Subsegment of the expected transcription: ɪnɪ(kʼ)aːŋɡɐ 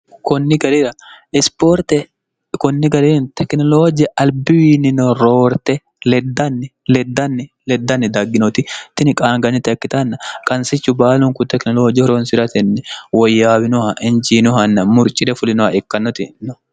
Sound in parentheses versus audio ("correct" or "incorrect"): correct